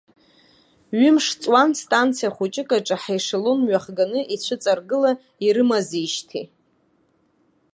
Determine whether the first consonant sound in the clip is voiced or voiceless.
voiced